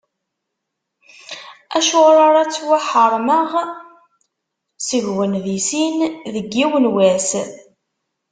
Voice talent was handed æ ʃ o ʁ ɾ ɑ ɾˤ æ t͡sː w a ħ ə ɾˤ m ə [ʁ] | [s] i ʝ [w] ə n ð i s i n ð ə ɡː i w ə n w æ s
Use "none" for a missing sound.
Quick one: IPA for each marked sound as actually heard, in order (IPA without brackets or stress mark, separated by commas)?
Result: ʁ, s, w